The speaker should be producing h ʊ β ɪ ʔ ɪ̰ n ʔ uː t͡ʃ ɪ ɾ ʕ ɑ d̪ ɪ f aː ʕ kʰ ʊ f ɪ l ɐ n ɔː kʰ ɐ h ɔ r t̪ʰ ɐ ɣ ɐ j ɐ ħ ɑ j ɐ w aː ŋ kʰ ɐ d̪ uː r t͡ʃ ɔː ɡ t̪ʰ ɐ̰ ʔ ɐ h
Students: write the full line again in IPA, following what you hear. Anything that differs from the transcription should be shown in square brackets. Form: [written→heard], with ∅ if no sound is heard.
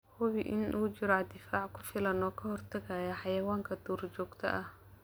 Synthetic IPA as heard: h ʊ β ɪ ʔ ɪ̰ n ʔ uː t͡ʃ ɪ ɾ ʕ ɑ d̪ ɪ f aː ʕ kʰ ʊ f ɪ l ɐ n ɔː kʰ ɐ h ɔ r t̪ʰ ɐ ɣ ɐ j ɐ ħ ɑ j ɐ w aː ŋ kʰ ɐ d̪ uː r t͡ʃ ɔː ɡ t̪ʰ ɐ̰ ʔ ɐ h